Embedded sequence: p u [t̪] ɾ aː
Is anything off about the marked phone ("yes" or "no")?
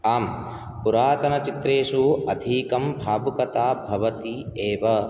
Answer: yes